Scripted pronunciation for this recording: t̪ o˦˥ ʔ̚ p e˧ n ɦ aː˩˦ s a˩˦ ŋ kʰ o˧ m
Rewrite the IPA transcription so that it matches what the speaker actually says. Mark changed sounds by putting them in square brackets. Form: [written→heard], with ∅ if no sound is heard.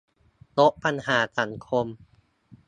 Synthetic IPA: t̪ o˦˥ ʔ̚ p [e˧→a˧] n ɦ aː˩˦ s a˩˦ ŋ kʰ o˧ m

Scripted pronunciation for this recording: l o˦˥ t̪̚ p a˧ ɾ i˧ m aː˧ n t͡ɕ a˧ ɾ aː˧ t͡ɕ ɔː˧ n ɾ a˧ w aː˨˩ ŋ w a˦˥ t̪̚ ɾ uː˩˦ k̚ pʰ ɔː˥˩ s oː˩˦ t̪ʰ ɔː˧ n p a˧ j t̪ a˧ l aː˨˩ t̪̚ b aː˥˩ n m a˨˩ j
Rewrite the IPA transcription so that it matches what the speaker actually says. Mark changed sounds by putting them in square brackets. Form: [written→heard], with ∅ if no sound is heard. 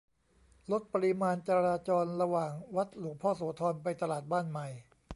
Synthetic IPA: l o˦˥ t̪̚ p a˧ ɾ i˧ m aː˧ n t͡ɕ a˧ ɾ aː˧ t͡ɕ ɔː˧ n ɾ a˧ w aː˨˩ ŋ w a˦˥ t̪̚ [ɾ→l] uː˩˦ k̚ pʰ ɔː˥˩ s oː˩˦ t̪ʰ ɔː˧ n p a˧ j t̪ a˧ l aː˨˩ t̪̚ b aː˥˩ n m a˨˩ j

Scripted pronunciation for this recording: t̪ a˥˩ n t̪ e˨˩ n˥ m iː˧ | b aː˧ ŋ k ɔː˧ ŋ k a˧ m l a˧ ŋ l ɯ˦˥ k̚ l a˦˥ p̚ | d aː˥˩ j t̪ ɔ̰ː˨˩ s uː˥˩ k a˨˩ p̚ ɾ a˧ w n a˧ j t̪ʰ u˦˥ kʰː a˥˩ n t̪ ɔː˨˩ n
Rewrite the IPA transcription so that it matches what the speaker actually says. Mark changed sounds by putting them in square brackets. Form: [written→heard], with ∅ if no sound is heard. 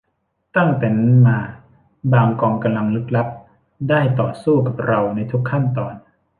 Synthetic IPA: t̪ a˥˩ [n→ŋ] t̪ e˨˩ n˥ m [iː˧→aː˧] | b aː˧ ŋ k ɔː˧ ŋ k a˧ m l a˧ ŋ l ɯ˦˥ k̚ l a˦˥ p̚ | d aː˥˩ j t̪ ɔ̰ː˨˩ s uː˥˩ k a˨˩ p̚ ɾ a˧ w n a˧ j t̪ʰ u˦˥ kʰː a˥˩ n t̪ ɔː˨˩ n

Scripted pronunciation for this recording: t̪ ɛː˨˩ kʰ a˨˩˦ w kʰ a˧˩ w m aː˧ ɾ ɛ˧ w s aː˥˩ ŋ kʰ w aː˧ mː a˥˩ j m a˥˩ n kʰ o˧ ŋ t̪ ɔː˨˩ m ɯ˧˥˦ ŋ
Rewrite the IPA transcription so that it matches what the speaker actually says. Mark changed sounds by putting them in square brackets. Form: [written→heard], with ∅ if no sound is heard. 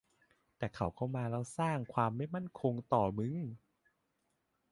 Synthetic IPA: t̪ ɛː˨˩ kʰ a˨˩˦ w kʰ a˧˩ w m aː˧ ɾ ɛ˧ w s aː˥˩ ŋ kʰ w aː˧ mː a˥˩ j m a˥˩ n kʰ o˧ ŋ t̪ ɔː˨˩ m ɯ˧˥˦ ŋ

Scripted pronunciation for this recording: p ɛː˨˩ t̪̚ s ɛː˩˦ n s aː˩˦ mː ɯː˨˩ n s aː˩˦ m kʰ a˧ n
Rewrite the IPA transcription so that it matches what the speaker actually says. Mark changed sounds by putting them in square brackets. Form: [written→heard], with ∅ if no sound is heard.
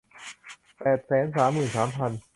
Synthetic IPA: p ɛː˨˩ t̪̚ s ɛː˩˦ n s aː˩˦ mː ɯː˨˩ n s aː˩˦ m [kʰ→pʰ] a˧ n

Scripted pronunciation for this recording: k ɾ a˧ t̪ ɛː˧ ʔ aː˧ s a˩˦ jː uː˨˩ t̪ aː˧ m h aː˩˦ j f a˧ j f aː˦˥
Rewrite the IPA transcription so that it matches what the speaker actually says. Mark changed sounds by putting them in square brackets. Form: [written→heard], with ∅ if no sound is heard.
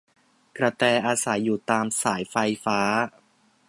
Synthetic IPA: k ɾ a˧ t̪ ɛː˧ ʔ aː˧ s a˩˦ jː uː˨˩ t̪ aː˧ m [h→s] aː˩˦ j f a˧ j f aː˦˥

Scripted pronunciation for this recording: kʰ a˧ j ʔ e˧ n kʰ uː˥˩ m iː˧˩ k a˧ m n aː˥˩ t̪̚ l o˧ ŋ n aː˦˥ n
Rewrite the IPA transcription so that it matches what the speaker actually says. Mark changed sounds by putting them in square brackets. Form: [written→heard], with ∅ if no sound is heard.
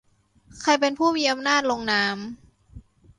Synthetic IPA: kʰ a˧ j [ʔ→p] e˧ n [kʰ→pʰ] uː˥˩ m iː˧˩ [k→ʔ] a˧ m n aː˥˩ t̪̚ l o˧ ŋ n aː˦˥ [n→m]

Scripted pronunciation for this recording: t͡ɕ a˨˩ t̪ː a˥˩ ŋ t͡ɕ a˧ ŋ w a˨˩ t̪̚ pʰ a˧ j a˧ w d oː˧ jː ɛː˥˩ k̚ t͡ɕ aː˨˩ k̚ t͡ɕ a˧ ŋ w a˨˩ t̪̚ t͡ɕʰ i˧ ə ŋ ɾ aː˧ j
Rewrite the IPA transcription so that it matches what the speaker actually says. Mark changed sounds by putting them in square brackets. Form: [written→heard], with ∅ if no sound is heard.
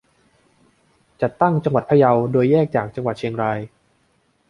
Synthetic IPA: t͡ɕ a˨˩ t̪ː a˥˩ ŋ t͡ɕ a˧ ŋ w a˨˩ t̪̚ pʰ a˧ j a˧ w d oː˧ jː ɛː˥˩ k̚ t͡ɕ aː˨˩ k̚ t͡ɕ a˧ ŋ w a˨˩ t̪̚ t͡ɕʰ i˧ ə ŋ ɾ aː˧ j

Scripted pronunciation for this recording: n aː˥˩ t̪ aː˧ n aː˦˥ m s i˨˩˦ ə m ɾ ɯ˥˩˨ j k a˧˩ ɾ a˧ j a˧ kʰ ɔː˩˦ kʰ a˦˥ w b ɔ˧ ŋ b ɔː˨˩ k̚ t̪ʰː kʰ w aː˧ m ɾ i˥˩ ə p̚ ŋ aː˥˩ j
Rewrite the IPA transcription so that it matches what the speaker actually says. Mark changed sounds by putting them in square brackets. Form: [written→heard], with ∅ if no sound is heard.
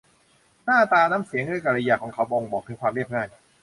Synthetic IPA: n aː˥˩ t̪ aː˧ n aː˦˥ m s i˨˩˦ ə [m→ŋ] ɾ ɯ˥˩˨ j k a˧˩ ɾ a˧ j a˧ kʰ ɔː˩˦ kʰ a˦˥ w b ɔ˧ ŋ b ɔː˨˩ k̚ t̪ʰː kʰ w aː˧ m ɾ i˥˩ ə p̚ ŋ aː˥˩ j

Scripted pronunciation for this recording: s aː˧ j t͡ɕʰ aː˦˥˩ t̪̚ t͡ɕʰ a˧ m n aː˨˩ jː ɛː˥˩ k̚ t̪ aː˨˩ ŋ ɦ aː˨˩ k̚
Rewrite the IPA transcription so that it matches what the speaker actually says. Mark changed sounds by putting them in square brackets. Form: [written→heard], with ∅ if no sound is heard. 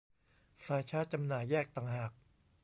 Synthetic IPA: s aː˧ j t͡ɕʰ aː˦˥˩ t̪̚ [t͡ɕʰ→t͡ɕ] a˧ m n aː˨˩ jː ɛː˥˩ k̚ t̪ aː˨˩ ŋ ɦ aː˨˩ k̚

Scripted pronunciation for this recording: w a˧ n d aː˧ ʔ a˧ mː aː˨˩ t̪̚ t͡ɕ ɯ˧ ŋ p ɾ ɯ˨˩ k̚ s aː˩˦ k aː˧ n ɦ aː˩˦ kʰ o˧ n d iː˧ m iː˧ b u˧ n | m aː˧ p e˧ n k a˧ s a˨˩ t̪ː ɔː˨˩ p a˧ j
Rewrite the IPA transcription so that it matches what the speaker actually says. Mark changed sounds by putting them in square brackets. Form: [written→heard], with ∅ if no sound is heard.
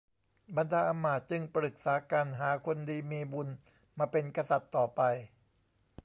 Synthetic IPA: [w→b] a˧ n d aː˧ ʔ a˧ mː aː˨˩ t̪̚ t͡ɕ ɯ˧ ŋ p ɾ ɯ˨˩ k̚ s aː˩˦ k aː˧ n ɦ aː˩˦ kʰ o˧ n d iː˧ m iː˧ b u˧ n | m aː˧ p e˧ n k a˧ s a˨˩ t̪ː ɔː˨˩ p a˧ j

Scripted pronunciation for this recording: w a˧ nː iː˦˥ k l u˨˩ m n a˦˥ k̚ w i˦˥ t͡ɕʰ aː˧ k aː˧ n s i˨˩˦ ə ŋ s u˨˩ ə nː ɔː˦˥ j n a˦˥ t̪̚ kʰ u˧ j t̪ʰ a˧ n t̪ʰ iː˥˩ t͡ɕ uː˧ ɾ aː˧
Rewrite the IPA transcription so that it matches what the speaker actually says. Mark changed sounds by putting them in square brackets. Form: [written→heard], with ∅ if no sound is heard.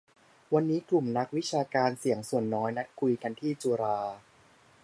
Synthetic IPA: w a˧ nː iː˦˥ k l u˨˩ m n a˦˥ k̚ w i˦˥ t͡ɕʰ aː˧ k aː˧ n s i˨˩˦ ə ŋ s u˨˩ ə nː ɔː˦˥ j n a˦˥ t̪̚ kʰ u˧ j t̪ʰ a˧ n t̪ʰ iː˥˩ t͡ɕ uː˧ ɾ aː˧

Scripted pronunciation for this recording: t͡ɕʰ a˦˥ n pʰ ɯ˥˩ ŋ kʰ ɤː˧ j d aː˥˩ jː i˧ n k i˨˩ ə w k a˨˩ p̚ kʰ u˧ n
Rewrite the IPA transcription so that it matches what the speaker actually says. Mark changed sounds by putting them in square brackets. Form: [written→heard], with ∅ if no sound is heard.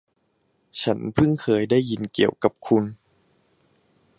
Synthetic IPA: t͡ɕʰ a˦˥ n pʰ ɯ˥˩ ŋ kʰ ɤː˧ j d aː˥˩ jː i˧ n k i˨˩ ə w k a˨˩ p̚ kʰ u˧ n

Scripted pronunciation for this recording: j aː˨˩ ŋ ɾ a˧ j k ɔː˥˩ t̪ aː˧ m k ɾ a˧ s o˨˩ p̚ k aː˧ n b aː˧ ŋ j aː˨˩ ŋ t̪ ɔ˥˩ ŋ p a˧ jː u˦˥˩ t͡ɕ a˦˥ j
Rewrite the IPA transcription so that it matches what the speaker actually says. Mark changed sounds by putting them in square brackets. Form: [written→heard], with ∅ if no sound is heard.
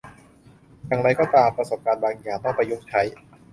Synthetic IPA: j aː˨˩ ŋ ɾ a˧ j k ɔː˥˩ t̪ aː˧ m [k→p] ɾ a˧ s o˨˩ p̚ k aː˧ n b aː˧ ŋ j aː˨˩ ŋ t̪ ɔ˥˩ ŋ p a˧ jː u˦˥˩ [t͡ɕ→t͡ɕʰ] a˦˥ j

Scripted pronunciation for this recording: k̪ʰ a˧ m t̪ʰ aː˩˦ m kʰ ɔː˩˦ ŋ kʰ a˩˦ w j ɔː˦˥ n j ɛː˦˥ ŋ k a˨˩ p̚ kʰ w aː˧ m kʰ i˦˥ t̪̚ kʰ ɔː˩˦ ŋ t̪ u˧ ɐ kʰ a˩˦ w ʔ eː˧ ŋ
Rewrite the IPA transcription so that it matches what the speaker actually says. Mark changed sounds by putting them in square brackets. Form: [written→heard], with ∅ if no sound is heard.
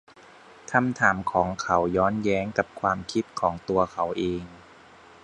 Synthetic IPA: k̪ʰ a˧ m t̪ʰ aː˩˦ m kʰ ɔː˩˦ ŋ kʰ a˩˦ w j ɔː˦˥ n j ɛː˦˥ ŋ k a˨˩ p̚ kʰ w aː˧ m kʰ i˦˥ t̪̚ kʰ ɔː˩˦ ŋ t̪ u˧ ɐ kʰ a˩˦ w ʔ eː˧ ŋ

